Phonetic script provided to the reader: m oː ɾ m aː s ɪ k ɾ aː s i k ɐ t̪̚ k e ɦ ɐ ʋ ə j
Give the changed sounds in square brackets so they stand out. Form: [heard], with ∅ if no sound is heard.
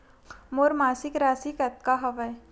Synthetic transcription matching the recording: m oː ɾ m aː s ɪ k ɾ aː s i k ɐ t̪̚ k [a] ɦ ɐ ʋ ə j

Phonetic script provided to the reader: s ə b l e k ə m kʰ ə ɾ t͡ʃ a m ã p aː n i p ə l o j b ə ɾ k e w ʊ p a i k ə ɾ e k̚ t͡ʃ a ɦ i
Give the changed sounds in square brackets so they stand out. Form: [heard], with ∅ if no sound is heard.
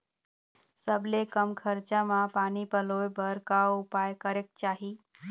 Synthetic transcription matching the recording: s ə b l e k ə m kʰ ə ɾ t͡ʃ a m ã p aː n i p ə l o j b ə ɾ k [a] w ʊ p a [j] k ə ɾ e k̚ t͡ʃ a ɦ i

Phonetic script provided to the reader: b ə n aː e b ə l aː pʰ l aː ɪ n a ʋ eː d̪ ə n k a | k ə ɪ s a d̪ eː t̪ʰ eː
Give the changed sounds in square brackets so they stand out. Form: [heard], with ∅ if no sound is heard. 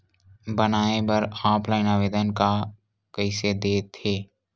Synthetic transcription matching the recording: b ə n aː e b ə [ɾ] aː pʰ l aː ɪ n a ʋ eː d̪ ə n k a | k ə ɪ s [e] d̪ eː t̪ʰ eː

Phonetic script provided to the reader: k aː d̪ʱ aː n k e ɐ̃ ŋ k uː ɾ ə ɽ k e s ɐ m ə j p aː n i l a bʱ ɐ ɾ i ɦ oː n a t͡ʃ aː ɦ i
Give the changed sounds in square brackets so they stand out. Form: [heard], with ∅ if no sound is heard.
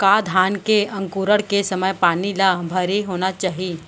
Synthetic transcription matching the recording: k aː d̪ʱ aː n k e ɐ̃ ŋ k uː ɾ ə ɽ k e s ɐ m ə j p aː n i l a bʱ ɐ ɾ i ɦ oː n a t͡ʃ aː ɦ i

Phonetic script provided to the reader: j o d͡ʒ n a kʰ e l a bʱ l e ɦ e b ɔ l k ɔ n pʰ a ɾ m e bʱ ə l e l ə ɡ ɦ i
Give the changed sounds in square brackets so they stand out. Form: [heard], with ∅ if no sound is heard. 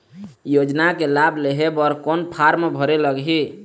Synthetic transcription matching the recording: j o d͡ʒ n a [k] e l a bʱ l e ɦ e b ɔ [ɾ] k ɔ n pʰ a ɾ m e bʱ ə [ɾ] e l ə ɡ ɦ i

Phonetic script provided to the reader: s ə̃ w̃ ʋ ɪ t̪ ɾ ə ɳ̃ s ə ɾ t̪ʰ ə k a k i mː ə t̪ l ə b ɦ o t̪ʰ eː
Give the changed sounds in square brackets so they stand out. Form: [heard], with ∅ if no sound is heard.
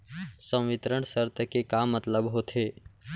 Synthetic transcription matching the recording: s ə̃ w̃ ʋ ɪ t̪ ɾ ə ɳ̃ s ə ɾ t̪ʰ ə k [e] k [a] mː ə t̪ l ə b ɦ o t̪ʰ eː

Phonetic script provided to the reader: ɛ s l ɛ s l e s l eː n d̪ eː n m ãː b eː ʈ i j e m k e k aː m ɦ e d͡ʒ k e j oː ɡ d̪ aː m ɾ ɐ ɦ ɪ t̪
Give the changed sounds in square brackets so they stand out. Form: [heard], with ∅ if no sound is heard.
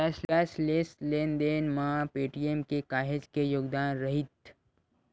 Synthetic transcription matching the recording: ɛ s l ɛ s l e s l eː n d̪ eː n m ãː [p] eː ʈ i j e m k e k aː [∅] ɦ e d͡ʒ k e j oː ɡ d̪ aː [n] ɾ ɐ ɦ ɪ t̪

